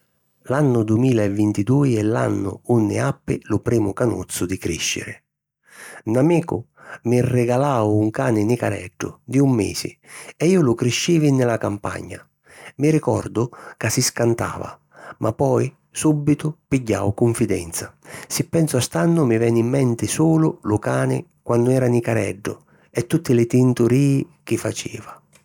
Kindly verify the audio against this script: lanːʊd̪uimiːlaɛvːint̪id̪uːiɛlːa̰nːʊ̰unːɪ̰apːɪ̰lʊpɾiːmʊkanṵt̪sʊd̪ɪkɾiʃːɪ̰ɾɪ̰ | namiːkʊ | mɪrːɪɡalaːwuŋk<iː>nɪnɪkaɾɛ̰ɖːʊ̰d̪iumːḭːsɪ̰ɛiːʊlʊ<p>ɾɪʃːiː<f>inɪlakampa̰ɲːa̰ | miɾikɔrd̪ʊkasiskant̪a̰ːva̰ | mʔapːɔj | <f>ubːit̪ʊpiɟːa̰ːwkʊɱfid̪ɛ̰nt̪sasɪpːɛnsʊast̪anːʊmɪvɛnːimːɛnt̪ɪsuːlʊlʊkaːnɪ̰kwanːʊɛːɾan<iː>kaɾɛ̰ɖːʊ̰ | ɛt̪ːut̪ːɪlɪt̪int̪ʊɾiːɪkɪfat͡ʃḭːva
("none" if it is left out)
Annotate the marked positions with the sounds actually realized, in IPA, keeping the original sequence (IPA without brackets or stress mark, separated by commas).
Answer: aː, k, v, s, i